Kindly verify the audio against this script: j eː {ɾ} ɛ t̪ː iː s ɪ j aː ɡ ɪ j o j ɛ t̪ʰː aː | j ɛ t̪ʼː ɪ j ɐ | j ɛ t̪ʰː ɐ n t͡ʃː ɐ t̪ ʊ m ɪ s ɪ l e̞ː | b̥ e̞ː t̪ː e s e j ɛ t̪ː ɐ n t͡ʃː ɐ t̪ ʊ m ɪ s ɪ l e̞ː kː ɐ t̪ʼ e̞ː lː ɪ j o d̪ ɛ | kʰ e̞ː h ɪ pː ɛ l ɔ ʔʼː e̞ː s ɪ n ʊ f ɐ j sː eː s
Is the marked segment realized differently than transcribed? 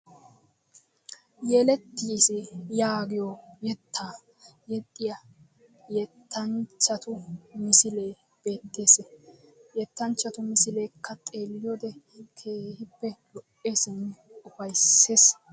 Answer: yes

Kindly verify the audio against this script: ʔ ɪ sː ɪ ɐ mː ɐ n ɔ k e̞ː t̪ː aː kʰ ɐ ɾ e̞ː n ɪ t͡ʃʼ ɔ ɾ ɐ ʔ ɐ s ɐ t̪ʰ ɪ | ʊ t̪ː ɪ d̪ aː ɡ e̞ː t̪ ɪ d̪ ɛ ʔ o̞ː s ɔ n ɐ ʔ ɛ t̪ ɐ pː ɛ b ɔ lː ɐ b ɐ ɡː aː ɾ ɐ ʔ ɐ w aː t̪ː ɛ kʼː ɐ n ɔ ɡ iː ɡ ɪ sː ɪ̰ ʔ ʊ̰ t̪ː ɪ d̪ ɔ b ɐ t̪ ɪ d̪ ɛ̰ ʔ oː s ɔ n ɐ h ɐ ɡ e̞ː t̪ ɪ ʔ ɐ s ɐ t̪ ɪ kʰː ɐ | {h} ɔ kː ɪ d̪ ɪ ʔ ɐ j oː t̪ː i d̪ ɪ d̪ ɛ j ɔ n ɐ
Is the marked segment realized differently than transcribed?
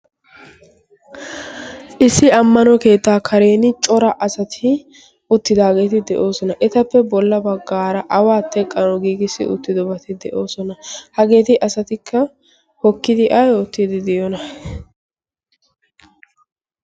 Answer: no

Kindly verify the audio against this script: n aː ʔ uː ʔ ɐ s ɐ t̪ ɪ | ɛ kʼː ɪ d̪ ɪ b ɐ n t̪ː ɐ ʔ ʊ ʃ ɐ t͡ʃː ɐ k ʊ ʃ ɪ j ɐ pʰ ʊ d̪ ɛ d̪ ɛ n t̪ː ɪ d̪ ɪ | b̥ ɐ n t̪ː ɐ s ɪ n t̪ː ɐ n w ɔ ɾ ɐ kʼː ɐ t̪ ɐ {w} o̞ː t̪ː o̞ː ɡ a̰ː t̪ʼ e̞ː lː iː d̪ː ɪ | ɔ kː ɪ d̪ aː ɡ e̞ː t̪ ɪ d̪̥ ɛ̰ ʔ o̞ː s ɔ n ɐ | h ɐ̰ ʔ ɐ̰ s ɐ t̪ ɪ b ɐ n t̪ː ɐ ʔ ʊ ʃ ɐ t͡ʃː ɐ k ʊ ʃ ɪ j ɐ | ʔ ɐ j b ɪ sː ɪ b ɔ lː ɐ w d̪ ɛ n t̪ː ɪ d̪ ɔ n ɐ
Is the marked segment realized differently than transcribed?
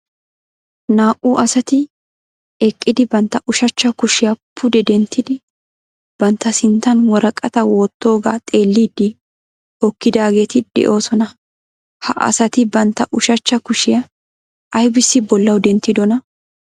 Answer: no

